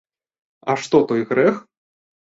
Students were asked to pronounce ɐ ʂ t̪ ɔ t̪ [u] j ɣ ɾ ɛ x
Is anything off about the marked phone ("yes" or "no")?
yes